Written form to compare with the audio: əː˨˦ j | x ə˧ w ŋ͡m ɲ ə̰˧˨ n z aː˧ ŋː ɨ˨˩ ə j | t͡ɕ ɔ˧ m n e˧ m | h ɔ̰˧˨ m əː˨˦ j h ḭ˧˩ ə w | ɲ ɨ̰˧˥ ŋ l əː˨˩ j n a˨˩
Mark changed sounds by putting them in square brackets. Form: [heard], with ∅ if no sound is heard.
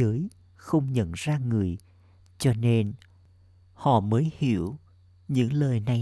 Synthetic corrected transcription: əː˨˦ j | x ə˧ w ŋ͡m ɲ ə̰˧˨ n z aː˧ [ŋ] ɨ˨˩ ə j | t͡ɕ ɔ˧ [∅] n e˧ [n] | h ɔ̰˧˨ m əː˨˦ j h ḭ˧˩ ə w | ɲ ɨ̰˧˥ ŋ l əː˨˩ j n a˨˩